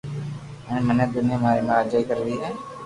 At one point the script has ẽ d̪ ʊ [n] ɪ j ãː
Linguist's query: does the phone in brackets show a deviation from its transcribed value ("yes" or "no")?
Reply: no